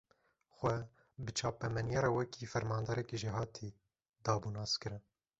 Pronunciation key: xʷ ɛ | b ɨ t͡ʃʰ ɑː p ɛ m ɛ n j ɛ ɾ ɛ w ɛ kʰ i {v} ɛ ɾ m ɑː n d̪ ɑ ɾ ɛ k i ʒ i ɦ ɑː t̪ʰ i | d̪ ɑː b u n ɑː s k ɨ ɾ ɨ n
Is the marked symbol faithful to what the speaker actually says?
no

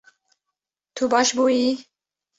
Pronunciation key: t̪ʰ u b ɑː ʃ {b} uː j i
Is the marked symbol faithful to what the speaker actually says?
yes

